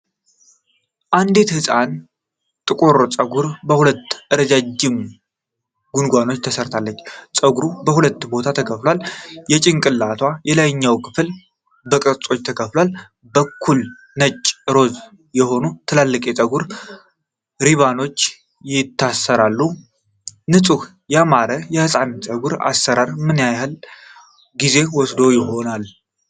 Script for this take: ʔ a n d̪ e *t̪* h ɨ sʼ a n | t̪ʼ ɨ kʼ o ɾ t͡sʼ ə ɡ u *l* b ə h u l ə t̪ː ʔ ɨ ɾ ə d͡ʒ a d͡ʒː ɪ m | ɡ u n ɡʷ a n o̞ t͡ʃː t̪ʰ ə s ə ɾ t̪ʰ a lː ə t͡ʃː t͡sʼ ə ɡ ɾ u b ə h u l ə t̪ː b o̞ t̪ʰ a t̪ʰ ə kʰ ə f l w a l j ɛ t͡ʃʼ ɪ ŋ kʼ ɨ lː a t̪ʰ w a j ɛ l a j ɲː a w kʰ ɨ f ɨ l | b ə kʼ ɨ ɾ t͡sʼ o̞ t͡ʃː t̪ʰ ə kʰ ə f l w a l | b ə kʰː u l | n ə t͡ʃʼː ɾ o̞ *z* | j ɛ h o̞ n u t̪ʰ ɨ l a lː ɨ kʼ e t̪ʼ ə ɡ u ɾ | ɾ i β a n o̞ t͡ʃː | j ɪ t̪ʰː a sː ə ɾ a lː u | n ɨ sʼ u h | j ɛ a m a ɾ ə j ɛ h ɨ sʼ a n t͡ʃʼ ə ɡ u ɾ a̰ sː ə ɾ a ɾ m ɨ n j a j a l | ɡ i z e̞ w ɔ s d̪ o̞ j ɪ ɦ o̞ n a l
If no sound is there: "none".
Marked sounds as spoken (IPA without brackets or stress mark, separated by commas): t̪, ɾ, z